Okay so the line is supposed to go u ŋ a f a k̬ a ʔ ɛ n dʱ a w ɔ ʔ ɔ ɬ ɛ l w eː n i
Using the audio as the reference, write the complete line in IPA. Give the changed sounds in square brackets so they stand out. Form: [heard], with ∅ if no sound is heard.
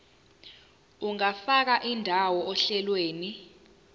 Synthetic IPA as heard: u ŋ a f a k̬ a ʔ [i] n dʱ a w ɔ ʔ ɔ ɬ ɛ l w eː n i